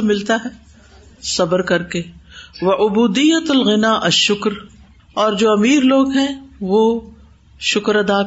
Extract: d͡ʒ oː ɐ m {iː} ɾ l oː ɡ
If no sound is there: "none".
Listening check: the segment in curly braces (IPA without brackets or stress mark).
iː